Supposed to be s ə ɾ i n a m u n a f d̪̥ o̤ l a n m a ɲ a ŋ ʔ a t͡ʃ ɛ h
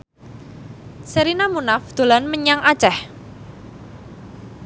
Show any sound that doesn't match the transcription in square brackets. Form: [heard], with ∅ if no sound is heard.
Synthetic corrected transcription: s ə ɾ i n a m u n a f d̪̥ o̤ l a n m [ə] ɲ a ŋ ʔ a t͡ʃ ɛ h